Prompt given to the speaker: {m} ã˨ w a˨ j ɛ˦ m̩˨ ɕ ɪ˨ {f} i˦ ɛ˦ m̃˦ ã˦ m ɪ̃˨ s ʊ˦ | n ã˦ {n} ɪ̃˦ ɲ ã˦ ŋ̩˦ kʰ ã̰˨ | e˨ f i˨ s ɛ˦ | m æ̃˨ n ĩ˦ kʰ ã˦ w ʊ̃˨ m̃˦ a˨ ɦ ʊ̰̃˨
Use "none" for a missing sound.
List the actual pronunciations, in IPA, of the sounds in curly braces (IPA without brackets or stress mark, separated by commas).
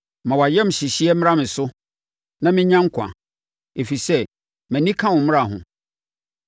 m, ɕ, m